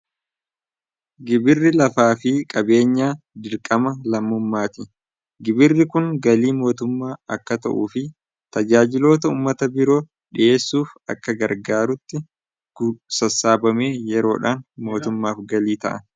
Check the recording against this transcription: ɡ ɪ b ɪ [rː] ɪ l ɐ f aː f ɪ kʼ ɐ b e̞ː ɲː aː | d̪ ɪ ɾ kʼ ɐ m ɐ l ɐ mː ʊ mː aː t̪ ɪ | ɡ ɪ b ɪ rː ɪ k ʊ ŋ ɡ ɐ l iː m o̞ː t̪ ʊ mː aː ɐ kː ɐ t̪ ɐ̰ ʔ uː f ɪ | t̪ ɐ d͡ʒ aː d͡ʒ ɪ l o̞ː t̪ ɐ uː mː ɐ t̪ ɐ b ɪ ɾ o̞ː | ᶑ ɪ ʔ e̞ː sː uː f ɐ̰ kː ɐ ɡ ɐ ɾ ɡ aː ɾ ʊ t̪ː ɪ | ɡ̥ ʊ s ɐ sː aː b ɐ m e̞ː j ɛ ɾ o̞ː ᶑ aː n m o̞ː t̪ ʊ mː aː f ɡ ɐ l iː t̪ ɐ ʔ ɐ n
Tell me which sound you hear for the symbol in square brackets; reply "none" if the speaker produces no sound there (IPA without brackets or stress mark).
rː